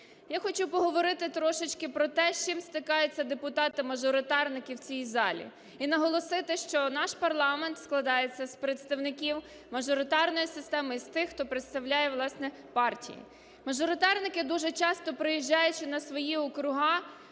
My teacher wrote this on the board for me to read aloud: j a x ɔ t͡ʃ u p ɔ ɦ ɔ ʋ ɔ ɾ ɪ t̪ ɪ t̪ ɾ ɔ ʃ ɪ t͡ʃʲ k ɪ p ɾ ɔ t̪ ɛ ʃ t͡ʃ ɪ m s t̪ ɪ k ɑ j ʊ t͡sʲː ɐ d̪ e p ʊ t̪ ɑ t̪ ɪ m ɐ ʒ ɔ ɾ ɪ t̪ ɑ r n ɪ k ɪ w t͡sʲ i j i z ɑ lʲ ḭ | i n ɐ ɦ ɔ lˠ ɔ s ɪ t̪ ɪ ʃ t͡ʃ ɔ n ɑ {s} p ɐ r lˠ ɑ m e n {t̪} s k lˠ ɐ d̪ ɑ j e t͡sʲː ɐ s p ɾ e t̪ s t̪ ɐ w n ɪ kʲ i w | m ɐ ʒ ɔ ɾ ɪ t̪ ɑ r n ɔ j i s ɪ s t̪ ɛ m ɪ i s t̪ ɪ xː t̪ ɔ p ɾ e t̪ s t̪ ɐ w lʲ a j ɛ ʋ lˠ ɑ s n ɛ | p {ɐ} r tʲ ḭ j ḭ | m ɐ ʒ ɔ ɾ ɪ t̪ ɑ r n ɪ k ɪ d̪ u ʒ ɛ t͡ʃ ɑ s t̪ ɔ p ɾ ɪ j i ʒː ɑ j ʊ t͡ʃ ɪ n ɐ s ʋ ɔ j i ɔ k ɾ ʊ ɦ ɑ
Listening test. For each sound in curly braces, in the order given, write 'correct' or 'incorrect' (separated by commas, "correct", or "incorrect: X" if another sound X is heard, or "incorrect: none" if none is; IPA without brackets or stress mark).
incorrect: ʃ, correct, incorrect: ɑ